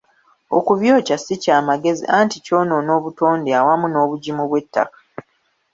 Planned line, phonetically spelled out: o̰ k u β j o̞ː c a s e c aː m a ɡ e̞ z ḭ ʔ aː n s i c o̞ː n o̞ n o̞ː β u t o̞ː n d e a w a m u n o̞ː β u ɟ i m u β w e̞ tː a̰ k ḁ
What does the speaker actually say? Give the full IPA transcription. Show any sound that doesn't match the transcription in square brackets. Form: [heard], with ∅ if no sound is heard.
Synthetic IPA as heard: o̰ k u β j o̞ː c a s [i] c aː m a ɡ e̞ z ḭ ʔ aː n [t] i c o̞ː n o̞ n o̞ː β u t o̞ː n d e a w a m u n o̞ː β u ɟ i m u β w e̞ tː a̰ k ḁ